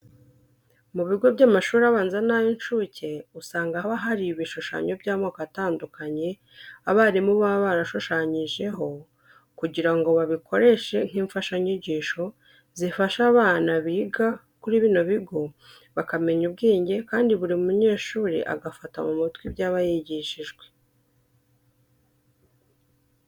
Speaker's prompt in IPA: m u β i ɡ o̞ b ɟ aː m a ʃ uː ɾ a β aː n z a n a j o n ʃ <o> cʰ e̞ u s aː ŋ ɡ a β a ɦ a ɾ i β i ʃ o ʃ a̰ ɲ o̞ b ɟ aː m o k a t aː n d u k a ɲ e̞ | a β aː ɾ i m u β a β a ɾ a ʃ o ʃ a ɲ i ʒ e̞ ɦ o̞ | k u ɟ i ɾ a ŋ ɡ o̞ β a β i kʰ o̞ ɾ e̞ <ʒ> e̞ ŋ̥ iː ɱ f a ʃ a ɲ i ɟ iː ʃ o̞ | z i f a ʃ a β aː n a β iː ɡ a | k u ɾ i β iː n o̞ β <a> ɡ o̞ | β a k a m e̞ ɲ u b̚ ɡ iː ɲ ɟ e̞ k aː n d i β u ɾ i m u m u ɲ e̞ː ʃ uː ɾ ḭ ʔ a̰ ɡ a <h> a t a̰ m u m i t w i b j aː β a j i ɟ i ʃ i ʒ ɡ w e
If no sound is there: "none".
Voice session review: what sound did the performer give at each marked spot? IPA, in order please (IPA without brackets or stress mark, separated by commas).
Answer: u, ʃ, i, f